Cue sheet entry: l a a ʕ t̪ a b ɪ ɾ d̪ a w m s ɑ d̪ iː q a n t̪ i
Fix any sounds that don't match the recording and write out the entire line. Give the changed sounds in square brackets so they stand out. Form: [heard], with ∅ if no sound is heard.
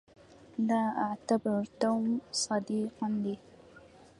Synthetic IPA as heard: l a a ʕ t̪ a b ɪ ɾ [t̪] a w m s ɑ d̪ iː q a n [d̪] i